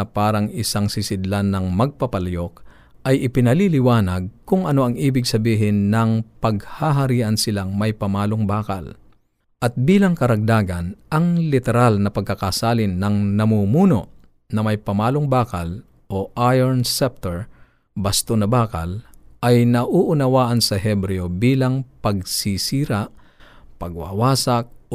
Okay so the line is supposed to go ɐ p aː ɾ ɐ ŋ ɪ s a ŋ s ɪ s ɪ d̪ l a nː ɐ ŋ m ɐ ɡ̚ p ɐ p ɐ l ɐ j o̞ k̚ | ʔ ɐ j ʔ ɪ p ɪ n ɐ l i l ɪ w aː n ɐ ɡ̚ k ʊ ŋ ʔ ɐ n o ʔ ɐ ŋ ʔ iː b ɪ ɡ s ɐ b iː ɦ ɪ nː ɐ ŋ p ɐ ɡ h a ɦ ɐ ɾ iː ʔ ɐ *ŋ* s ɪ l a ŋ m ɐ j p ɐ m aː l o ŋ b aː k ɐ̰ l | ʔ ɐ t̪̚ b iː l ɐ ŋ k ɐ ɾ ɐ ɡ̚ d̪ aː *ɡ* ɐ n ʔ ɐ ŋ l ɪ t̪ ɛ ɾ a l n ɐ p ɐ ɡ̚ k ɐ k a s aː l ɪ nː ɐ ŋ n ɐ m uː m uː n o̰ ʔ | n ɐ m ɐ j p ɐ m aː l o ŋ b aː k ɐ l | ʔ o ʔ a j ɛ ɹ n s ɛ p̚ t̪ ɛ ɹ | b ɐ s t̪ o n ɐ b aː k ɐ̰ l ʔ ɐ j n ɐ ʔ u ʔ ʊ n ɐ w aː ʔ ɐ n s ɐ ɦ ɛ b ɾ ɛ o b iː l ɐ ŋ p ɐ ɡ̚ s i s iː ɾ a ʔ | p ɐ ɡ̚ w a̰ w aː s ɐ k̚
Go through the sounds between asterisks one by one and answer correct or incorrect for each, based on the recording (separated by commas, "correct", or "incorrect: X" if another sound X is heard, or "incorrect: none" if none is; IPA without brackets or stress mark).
incorrect: n, correct